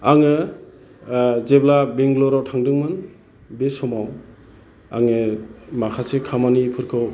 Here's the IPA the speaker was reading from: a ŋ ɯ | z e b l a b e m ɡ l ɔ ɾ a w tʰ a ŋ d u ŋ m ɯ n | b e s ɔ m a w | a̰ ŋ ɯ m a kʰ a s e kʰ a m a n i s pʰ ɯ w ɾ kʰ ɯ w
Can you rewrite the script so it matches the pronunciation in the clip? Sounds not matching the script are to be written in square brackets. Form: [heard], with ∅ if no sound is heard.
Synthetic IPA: a ŋ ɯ | z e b l a b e [ŋ] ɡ l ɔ ɾ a w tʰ a ŋ d [ɯ] ŋ m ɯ n | b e s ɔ m a w | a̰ ŋ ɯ m a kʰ a s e kʰ a m a n i [∅] pʰ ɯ [∅] ɾ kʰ ɯ w

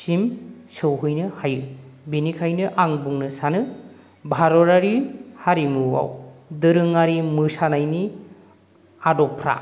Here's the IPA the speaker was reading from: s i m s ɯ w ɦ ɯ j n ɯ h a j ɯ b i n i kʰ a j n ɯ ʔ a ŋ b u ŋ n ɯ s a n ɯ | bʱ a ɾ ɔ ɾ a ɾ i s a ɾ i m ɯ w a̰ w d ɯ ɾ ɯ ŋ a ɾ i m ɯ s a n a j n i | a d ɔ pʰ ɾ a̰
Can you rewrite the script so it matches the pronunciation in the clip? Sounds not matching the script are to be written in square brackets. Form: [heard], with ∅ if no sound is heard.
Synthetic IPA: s i m s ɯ w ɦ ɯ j n ɯ h a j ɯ b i n i kʰ a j n ɯ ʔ a ŋ b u ŋ n ɯ s a n ɯ | bʱ a ɾ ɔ ɾ a ɾ i [h] a ɾ i m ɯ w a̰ w d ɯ ɾ ɯ ŋ a ɾ i m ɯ s a n a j n i | a d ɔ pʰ ɾ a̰

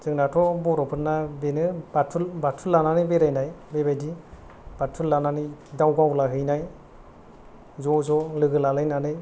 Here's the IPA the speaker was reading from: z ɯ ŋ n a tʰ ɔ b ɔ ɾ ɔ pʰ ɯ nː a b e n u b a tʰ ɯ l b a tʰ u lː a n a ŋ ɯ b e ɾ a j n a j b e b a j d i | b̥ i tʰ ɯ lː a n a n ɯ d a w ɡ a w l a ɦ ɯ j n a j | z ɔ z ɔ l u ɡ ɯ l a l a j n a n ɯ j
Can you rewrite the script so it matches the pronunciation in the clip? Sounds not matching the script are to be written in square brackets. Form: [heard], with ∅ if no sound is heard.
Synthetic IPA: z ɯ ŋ n a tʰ ɔ b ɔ ɾ ɔ pʰ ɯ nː a b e n [ɯ] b a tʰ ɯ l b a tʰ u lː a n a [n] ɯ b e ɾ a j n a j b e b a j d i | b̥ [a] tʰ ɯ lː a n a n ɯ d a w ɡ a w l a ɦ ɯ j n a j | z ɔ z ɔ l [ɯ] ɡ ɯ l a l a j n a n ɯ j

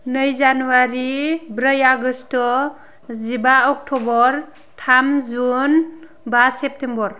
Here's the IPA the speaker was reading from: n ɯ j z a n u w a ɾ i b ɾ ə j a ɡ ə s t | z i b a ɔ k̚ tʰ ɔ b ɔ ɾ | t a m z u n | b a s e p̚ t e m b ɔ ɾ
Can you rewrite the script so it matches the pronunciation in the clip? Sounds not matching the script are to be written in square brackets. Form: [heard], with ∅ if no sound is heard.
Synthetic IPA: n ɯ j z a n u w a ɾ i b ɾ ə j a ɡ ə s t | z i b a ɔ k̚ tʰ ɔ b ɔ ɾ | [tʰ] a m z u n | b a s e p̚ t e m b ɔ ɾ

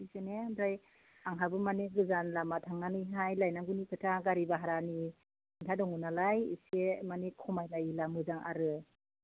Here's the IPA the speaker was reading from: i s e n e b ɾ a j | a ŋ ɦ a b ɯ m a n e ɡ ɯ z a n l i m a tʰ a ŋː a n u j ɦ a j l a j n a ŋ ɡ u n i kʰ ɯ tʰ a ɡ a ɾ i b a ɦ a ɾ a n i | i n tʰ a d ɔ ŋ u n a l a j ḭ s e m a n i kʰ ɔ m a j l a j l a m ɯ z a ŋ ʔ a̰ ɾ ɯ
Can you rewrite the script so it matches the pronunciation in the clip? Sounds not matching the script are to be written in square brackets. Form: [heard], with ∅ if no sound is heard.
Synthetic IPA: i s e n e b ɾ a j | a ŋ ɦ a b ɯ m a n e ɡ ɯ z a n l [a] m a tʰ a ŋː a n [ɯ] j ɦ a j l a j n a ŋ ɡ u n i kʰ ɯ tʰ a ɡ a ɾ i b a ɦ a ɾ a n i | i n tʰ a d ɔ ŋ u n a l a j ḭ s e m a n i kʰ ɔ m a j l a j l a m ɯ z a ŋ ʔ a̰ ɾ ɯ

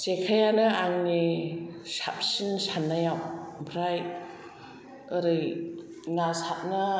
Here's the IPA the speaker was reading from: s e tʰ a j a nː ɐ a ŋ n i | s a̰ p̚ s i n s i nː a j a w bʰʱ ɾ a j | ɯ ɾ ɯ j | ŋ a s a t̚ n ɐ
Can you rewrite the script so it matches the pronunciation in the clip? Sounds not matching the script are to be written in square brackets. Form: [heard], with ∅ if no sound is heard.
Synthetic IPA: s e [kʰ] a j a [n] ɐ a ŋ n i | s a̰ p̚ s i n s [a] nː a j a w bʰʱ ɾ a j | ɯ ɾ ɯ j | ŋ a s a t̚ n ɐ

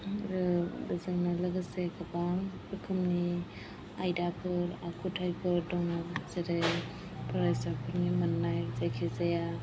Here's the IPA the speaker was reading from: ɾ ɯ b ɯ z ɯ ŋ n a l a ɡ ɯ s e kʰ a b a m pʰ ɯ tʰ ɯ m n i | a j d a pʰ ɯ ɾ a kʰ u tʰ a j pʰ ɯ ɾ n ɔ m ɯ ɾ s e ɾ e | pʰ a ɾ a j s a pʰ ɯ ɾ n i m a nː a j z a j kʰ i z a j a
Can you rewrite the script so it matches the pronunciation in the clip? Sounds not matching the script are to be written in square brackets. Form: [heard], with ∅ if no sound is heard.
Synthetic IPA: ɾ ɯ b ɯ z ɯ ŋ n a l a ɡ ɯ s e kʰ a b a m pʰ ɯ [kʰ] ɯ m n i | a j d a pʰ ɯ ɾ a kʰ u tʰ a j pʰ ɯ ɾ [d] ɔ [ŋ] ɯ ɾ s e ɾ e | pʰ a ɾ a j s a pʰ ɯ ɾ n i m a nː a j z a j kʰ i z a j a

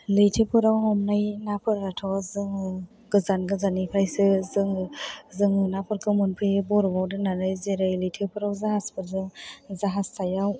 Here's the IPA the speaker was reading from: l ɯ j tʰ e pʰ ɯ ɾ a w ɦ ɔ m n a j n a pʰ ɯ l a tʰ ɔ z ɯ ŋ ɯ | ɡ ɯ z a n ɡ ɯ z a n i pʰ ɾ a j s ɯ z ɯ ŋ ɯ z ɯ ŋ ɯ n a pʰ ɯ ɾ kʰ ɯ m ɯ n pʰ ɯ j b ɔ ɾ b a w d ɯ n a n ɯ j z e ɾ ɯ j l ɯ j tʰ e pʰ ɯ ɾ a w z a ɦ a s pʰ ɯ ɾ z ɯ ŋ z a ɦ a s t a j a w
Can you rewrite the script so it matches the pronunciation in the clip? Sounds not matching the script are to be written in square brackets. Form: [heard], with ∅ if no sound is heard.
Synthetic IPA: l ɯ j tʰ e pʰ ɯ ɾ a w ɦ ɔ m n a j n a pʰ ɯ [ɾ] a tʰ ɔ z ɯ ŋ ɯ | ɡ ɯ z a n ɡ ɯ z a n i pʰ ɾ a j s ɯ z ɯ ŋ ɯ z ɯ ŋ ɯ n a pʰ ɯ ɾ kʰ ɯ m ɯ n pʰ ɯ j b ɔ ɾ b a w d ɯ n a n ɯ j z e ɾ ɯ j l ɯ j tʰ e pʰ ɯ ɾ a w z a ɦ a s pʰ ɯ ɾ z ɯ ŋ z a ɦ a s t a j a w

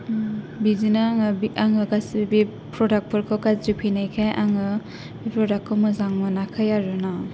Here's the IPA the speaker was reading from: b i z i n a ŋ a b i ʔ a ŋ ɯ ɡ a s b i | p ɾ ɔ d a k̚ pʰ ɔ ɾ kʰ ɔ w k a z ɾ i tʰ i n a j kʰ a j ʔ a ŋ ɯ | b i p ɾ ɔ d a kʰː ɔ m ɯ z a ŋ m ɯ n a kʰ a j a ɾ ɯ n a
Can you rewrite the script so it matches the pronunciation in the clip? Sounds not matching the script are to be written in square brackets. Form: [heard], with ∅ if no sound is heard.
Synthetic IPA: b i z i n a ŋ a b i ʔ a ŋ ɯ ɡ a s b i | p ɾ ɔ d a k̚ pʰ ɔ ɾ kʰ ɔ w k a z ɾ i [pʰ] i n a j kʰ a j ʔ a ŋ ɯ | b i p ɾ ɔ d a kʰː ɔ m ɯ z a ŋ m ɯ n a kʰ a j a ɾ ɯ n a

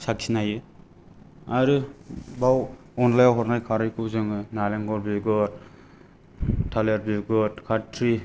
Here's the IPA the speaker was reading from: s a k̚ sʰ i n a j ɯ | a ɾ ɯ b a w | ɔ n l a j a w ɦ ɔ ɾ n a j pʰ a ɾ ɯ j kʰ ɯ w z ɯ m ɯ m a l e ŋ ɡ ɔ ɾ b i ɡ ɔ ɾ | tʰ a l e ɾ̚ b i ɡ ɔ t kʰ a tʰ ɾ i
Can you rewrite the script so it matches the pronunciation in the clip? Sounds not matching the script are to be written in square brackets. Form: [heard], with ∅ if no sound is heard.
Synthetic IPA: s a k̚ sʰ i n a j ɯ | a ɾ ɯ b a w | ɔ n l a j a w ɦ ɔ ɾ n a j [kʰ] a ɾ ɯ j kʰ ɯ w z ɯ [ŋ] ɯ [n] a l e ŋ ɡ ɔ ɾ b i ɡ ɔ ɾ | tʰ a l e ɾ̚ b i ɡ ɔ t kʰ a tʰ ɾ i

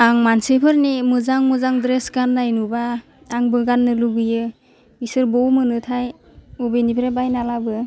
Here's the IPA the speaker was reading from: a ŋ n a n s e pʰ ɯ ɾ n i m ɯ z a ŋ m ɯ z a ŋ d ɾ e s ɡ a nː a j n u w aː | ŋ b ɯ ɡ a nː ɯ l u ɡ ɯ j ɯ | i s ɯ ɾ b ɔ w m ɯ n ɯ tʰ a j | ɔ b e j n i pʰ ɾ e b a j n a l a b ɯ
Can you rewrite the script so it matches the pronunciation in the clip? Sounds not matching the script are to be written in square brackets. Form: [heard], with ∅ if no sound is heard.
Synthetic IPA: a ŋ [m] a n s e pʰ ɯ ɾ n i m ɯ z a ŋ m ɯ z a ŋ d ɾ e s ɡ a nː a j n u [b] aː | ŋ b ɯ ɡ a nː ɯ l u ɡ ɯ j ɯ | i s ɯ ɾ b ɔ w m ɯ n ɯ tʰ a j | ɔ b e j n i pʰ ɾ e b a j n a l a b ɯ

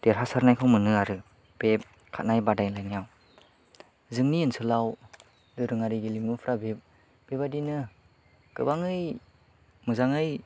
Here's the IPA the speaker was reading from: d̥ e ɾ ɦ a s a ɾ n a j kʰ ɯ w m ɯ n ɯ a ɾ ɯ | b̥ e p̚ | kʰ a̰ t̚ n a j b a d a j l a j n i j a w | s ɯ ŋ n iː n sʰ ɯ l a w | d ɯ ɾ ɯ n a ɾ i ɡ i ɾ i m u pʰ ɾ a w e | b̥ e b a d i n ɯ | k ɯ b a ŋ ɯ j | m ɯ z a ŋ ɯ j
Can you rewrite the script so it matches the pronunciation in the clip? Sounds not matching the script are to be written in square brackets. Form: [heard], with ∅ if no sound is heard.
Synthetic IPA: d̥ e ɾ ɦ a s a ɾ n a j kʰ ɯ w m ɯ n ɯ a ɾ ɯ | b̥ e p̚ | kʰ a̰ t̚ n a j b a d a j l a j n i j a w | [z] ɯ ŋ n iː n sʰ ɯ l a w | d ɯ ɾ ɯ [ŋ] a ɾ i ɡ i [l] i m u pʰ ɾ a [b] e | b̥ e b a d i n ɯ | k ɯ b a ŋ ɯ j | m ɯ z a ŋ ɯ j

